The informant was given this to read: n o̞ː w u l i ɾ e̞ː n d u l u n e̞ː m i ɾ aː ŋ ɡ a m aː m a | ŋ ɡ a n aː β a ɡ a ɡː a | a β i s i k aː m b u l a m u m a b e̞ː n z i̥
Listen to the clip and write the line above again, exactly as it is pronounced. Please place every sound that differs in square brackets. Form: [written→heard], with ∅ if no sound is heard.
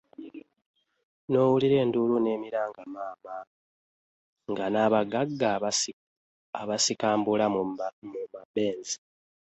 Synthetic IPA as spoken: n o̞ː w u l i ɾ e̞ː n d u l u n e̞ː m i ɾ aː ŋ ɡ a m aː m a | ŋ ɡ a n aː β a ɡ a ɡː a | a β [i→a] s i k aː m b u l a m u m a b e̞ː n z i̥